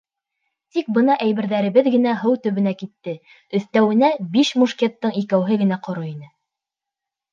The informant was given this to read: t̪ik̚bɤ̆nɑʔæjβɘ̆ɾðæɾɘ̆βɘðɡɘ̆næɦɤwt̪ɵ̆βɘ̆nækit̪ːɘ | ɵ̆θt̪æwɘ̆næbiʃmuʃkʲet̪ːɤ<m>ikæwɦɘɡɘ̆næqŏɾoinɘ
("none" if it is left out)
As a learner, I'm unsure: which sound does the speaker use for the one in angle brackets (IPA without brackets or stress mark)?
ɴ